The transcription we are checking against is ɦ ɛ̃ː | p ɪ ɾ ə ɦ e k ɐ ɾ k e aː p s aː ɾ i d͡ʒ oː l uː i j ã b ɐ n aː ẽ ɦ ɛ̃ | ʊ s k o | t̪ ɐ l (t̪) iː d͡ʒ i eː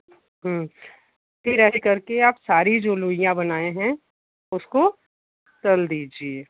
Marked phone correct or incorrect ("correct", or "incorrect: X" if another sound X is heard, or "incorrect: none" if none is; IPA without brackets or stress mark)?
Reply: incorrect: d̪